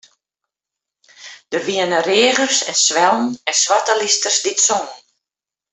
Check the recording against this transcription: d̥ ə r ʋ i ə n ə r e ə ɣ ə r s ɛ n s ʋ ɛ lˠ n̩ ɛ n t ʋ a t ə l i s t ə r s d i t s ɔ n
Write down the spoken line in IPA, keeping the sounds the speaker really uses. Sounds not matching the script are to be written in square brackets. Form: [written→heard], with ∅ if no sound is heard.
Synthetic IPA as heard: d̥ ə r ʋ i ə n ə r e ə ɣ ə r s ɛ n s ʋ ɛ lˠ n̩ ɛ n [t→s] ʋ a t ə l i s t ə r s d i t s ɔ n